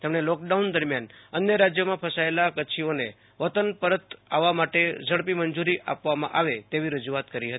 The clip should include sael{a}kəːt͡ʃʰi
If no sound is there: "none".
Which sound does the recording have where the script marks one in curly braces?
a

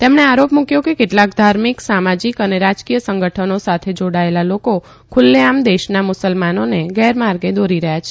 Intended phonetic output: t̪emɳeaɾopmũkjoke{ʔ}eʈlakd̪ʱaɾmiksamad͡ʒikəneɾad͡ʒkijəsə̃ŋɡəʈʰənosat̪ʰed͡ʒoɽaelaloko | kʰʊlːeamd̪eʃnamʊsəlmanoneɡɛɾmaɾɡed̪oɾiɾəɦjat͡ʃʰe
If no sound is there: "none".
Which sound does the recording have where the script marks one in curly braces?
k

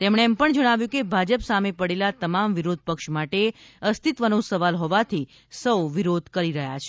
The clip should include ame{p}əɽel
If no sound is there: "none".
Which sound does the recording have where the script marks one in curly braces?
p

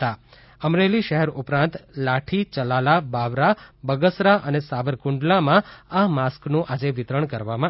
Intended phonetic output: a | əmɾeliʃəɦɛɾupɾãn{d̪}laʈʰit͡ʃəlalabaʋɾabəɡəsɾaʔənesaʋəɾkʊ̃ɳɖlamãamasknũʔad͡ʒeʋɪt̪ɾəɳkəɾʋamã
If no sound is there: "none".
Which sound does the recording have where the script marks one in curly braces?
t̪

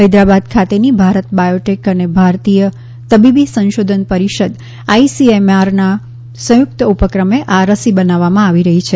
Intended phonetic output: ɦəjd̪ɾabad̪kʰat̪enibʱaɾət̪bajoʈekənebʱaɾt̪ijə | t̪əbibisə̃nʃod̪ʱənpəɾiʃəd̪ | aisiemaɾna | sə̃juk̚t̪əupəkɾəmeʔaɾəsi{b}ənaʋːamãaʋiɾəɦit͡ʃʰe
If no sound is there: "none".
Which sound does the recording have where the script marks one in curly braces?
b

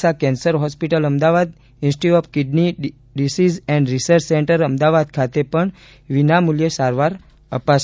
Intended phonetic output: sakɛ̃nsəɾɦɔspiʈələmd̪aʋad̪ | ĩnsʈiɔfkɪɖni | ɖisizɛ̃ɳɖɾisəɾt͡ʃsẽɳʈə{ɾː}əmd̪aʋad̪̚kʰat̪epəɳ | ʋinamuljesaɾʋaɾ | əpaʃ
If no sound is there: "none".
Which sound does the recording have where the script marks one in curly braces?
ɾ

